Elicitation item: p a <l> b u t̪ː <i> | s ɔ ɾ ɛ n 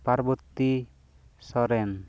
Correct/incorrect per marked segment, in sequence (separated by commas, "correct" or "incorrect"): incorrect, correct